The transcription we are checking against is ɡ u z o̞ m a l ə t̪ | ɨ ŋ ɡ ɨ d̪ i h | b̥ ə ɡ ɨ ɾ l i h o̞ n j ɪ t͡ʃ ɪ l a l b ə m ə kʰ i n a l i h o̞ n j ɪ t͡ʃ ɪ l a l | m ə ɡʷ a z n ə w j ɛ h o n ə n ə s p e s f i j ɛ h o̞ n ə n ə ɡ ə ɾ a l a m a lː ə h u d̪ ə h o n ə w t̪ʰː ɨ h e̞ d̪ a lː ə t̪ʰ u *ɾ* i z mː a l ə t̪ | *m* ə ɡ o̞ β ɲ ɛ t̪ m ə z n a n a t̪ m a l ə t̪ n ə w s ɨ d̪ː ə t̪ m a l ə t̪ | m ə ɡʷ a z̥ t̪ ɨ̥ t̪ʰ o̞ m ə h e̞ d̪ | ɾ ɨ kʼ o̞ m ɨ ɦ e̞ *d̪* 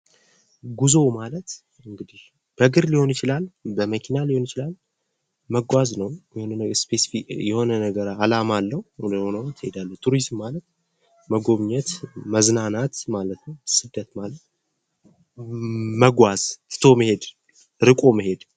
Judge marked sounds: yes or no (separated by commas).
yes, yes, yes